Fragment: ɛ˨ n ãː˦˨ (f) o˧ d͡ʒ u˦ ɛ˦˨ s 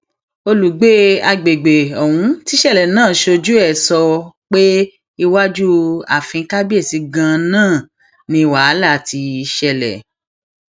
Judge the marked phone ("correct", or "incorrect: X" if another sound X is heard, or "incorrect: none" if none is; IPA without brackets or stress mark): incorrect: ʃ